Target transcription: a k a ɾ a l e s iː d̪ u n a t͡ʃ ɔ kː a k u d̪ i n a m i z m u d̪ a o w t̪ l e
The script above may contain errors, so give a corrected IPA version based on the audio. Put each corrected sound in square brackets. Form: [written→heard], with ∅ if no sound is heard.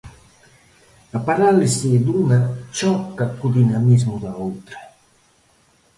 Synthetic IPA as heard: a [k→p] a ɾ a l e s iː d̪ u n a t͡ʃ ɔ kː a k u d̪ i n a m i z m u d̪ a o w t̪ [l→ɾ] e